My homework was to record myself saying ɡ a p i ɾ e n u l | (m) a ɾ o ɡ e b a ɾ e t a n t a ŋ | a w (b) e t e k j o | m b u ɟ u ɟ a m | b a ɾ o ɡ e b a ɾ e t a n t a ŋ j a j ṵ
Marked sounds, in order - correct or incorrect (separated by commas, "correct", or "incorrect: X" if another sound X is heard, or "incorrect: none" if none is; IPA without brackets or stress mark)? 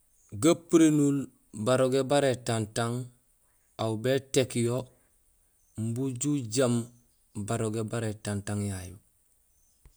incorrect: b, correct